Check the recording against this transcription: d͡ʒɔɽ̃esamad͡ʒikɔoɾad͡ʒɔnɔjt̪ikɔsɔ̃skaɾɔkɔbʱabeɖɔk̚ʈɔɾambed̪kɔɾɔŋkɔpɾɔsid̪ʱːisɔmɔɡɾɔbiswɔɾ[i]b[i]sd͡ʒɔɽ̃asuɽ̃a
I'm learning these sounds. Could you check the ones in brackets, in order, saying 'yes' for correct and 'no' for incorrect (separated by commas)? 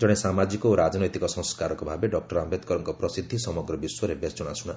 no, no